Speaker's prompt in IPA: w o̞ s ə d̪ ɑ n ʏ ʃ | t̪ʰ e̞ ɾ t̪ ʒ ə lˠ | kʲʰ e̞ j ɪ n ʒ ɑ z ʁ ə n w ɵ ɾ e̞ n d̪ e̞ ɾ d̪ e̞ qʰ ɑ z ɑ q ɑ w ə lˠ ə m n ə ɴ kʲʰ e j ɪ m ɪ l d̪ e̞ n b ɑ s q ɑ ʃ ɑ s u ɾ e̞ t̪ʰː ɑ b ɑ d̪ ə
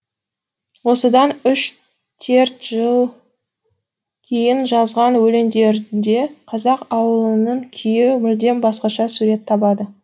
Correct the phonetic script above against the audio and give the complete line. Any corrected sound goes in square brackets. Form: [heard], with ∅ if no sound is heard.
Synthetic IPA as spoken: w o̞ s ə d̪ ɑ n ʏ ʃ | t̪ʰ e̞ ɾ t̪ ʒ ə lˠ | kʲʰ e̞ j ɪ n ʒ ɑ z ʁ [ɑ] n w ɵ [l] e̞ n d̪ e̞ ɾ d̪ e̞ qʰ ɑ z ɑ q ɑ w ə lˠ ə [∅] n ə ɴ kʲʰ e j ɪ m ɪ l d̪ e̞ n b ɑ s q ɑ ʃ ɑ s u ɾ e̞ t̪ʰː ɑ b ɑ d̪ ə

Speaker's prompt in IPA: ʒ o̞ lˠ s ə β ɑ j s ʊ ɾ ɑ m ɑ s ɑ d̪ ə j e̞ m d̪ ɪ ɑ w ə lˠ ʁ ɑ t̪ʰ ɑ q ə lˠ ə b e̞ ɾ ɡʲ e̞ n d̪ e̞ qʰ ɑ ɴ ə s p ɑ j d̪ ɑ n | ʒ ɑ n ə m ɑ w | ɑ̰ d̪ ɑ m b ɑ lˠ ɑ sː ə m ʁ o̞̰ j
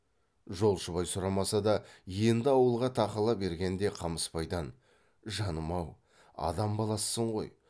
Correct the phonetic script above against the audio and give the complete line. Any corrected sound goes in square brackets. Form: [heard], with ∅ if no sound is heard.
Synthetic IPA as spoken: ʒ o̞ lˠ [ʃ] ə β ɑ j s ʊ ɾ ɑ m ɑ s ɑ d̪ [ɑ] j e̞ [n] d̪ ɪ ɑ w ə lˠ ʁ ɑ t̪ʰ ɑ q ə lˠ [ɑ] b e̞ ɾ ɡʲ e̞ n d̪ e̞ qʰ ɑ [m] ə s p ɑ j d̪ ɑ n | ʒ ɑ n ə m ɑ w | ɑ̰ d̪ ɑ m b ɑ lˠ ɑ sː ə [ɴ] ʁ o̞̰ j

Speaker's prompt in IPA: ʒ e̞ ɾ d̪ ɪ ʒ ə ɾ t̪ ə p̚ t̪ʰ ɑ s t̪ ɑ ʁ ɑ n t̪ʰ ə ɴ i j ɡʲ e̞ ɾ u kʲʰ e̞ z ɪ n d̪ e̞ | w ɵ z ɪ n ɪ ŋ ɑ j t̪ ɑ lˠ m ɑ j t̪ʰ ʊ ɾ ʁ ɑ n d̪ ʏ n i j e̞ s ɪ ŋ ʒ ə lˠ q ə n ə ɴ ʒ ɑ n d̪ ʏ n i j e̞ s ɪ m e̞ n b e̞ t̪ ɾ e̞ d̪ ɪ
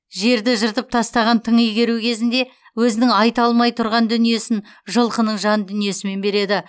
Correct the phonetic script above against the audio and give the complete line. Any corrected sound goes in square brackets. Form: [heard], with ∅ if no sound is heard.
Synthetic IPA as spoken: ʒ e̞ ɾ d̪ ɪ ʒ ə ɾ t̪ ə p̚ t̪ʰ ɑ s t̪ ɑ ʁ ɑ n t̪ʰ ə ɴ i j ɡʲ e̞ ɾ u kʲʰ e̞ z ɪ n d̪ e̞ | w ɵ z ɪ n ɪ ŋ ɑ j t̪ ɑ lˠ m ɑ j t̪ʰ ʊ ɾ ʁ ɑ n d̪ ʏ n i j e̞ s ɪ [n] ʒ ə lˠ q ə n ə ɴ ʒ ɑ n d̪ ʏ n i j e̞ s ɪ m e̞ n b e̞ [∅] ɾ e̞ d̪ ɪ

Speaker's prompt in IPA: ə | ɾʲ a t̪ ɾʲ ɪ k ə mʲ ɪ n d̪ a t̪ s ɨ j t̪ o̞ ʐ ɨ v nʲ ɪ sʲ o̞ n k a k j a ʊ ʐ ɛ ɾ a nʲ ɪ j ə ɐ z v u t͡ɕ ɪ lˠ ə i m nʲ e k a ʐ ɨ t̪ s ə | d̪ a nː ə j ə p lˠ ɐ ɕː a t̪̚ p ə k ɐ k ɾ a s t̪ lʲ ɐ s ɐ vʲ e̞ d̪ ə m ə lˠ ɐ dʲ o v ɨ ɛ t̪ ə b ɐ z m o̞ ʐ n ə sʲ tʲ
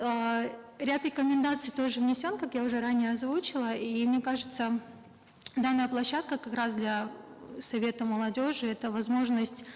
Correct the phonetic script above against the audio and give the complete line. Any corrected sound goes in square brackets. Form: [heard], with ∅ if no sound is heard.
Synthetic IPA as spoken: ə | ɾʲ a t̪ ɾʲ ɪ k ə mʲ ɪ n d̪ a t̪ s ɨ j t̪ o̞ ʐ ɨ v nʲ ɪ sʲ o̞ n k a k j a ʊ ʐ ɛ ɾ a nʲ ɪ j ə ɐ z v u t͡ɕ ɪ lˠ ə i m nʲ e k a ʐ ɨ t̪ s ə | d̪ a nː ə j ə p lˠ ɐ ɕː a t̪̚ [k] ə k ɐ k ɾ a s [d̪] lʲ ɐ s ɐ vʲ e̞ [t̪] ə m ə lˠ ɐ dʲ o [ʐ] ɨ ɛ t̪ ə [v] ɐ z m o̞ ʐ n ə sʲ tʲ

